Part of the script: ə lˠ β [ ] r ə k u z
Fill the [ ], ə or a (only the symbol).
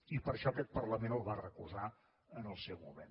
a